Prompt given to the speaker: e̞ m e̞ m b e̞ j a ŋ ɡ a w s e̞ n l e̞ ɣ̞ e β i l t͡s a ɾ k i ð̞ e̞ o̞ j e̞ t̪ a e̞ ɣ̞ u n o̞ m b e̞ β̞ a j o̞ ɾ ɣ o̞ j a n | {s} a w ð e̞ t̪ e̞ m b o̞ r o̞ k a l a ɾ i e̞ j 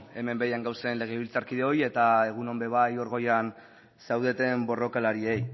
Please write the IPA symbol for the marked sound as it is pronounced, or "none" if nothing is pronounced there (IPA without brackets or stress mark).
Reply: s